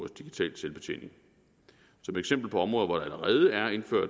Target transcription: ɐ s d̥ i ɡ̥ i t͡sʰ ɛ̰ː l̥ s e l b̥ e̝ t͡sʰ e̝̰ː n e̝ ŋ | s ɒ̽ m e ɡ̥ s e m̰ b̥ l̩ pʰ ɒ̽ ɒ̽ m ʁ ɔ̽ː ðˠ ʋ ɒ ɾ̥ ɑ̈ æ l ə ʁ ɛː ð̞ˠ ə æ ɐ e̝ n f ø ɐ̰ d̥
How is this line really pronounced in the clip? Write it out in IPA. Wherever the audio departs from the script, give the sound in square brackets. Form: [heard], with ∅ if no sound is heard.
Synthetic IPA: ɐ s d̥ i ɡ̥ i t͡sʰ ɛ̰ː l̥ s e l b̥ e̝ t͡sʰ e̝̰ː n e̝ ŋ | s ɒ̽ m e ɡ̥ s e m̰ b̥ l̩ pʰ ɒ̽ ɒ̽ m ʁ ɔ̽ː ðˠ ʋ ɒ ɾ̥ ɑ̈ æ l ə ʁ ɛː ð̞ˠ ə æ ɐ e̝ n f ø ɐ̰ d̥